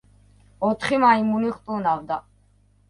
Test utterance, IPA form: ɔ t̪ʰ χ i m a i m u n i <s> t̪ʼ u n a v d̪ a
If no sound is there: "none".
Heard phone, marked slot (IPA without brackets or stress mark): χ